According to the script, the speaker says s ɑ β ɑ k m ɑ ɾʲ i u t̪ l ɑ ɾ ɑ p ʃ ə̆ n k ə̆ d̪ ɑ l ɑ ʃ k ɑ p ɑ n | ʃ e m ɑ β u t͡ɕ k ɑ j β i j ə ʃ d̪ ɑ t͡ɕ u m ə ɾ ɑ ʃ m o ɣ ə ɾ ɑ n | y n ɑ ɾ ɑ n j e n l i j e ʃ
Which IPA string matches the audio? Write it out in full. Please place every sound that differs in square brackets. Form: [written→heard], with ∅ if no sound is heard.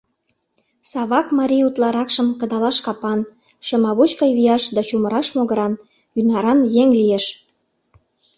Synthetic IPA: s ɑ β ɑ k m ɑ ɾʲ i u t̪ l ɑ ɾ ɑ [p→k] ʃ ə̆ [n→m] k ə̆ d̪ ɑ l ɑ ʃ k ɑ p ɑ n | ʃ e m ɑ β u t͡ɕ k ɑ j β i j [ə→ɑ] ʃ d̪ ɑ t͡ɕ u m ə ɾ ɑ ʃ m o ɣ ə ɾ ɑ n | y n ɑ ɾ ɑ n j e [n→ŋ] l i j e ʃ